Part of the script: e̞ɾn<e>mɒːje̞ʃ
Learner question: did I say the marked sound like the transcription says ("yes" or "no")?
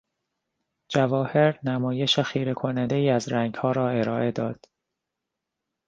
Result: no